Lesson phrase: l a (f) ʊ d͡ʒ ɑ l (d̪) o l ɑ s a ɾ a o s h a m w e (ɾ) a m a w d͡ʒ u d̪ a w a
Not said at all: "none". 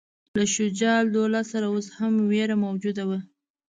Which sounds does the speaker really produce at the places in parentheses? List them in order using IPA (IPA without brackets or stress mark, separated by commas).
ʃ, d̪, ɾ